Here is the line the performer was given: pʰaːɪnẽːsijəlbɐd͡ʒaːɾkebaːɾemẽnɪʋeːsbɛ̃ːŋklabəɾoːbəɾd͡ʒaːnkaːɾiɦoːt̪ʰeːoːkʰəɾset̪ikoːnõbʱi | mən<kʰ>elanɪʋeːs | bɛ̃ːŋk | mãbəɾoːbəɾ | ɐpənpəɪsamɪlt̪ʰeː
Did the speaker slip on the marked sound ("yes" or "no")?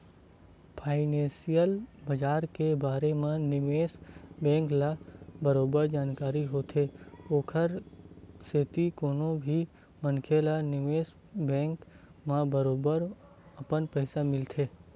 no